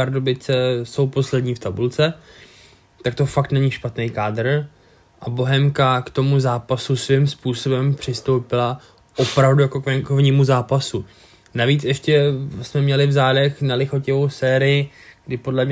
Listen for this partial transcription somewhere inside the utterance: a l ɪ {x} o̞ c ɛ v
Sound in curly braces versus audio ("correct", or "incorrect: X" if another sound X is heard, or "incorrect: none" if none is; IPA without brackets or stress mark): correct